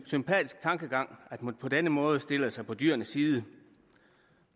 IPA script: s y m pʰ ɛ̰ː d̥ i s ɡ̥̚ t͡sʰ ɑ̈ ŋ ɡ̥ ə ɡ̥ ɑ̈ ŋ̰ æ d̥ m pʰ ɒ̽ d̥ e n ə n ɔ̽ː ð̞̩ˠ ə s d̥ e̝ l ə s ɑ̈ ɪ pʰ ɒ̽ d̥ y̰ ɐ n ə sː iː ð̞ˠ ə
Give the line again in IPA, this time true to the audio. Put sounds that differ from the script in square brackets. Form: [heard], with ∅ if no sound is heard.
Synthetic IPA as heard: s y m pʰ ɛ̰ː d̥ i s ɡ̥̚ t͡sʰ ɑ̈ ŋ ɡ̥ ə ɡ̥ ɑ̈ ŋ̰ æ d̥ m pʰ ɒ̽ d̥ e n ə [m] ɔ̽ː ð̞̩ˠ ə s d̥ e̝ l ə s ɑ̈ ɪ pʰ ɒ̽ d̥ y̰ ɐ n ə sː iː ð̞ˠ ə